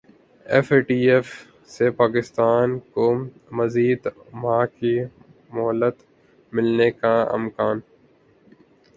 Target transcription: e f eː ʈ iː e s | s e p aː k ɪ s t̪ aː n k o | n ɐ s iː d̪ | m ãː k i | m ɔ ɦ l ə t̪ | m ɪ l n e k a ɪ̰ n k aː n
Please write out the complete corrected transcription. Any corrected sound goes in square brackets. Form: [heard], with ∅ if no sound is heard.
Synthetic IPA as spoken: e f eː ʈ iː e [f] | s e p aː k ɪ s t̪ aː n k o | [m] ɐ [z] iː d̪ | m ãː k i | m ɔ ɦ l ə t̪ | m ɪ l n e k a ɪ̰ [m] k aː n